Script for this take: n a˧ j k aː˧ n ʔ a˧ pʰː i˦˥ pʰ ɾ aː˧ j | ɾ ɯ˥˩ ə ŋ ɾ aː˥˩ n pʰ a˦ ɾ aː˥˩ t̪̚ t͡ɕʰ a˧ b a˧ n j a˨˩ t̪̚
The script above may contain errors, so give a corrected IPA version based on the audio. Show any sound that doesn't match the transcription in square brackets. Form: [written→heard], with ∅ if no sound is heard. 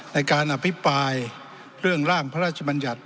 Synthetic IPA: n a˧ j k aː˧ n ʔ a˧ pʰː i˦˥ [pʰ→p] ɾ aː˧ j | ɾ ɯ˥˩ ə ŋ ɾ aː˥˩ [n→ŋ] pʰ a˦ ɾ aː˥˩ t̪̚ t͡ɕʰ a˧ b a˧ n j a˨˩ t̪̚